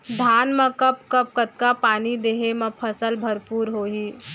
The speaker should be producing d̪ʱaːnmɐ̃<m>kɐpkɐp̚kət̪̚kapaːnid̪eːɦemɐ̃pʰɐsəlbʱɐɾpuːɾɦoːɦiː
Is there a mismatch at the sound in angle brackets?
yes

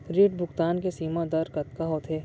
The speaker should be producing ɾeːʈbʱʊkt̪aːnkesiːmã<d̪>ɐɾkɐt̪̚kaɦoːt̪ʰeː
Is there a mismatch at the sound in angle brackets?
no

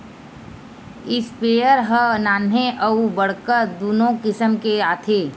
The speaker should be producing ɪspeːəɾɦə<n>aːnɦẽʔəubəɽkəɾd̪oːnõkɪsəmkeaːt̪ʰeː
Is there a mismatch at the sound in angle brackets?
no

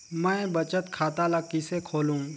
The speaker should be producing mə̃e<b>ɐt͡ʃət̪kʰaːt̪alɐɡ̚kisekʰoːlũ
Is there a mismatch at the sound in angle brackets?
no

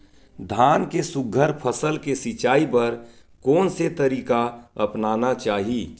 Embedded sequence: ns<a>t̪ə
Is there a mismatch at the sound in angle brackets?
yes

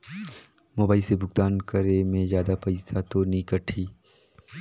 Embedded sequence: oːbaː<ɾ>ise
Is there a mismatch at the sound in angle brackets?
yes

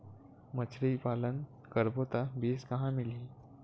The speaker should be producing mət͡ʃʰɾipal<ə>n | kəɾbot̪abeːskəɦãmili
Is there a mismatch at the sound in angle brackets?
no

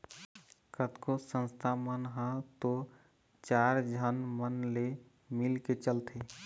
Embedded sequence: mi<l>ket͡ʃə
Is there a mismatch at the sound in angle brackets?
no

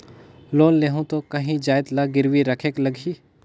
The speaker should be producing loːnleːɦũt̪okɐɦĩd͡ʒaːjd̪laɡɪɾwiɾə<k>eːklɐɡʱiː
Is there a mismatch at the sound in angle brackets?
yes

